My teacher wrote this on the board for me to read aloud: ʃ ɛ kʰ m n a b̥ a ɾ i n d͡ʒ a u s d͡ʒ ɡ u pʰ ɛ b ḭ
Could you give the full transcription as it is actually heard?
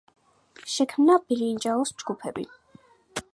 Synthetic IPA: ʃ ɛ kʰ m n a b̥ i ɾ i n d͡ʒ a ɔ s d͡ʒ ɡ u pʰ ɛ b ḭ